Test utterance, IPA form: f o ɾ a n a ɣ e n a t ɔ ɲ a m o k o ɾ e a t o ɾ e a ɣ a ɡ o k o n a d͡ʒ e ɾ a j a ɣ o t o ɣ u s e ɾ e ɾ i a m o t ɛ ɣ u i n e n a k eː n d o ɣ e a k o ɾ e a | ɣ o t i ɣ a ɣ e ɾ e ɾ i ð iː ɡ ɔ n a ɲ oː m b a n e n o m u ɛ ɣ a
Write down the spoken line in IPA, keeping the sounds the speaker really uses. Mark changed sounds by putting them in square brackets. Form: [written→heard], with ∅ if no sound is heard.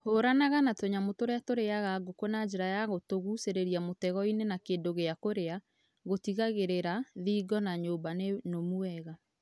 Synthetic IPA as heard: [f→h] o ɾ a n a ɣ [e→a] n a t [ɔ→o] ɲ a m o [k→t] o ɾ e a t o ɾ e a ɣ a ɡ o k o n a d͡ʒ e ɾ a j a ɣ o t o ɣ u s e ɾ e ɾ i a m o t ɛ ɣ [u→ɔ] i n e n a k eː n d o ɣ e a k o ɾ e a | ɣ o t i ɣ a ɣ e ɾ e ɾ [i→a] ð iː ɡ ɔ n a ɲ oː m b a n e n o m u ɛ ɣ a